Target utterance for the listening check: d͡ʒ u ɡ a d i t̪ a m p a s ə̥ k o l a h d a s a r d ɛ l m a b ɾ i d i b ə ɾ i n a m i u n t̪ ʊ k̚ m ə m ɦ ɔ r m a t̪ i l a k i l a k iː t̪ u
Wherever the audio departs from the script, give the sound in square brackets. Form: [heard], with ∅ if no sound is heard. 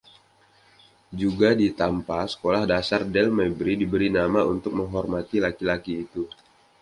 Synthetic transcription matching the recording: d͡ʒ u ɡ a d i t̪ a m p a s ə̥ k o l a h d a s a r d ɛ l m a b ɾ i d i b ə ɾ i n a m [a] u n t̪ ʊ k̚ m ə [ŋ] ɦ ɔ r m a t̪ i l a k i l a k iː t̪ u